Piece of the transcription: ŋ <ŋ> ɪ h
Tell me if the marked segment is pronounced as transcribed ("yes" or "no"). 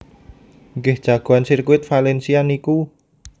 no